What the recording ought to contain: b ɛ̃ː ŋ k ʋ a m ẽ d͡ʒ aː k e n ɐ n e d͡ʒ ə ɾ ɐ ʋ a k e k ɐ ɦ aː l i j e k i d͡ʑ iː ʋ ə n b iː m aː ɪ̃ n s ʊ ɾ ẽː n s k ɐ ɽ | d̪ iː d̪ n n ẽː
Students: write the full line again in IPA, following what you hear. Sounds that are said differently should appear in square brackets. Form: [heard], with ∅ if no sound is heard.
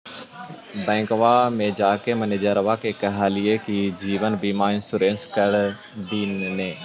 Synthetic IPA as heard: b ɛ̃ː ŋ k ʋ a m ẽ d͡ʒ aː k e [m] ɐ n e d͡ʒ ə ɾ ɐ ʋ a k e k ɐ ɦ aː l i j e k i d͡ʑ iː ʋ ə n b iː m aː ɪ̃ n s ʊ ɾ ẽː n s k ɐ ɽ | d̪ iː [∅] n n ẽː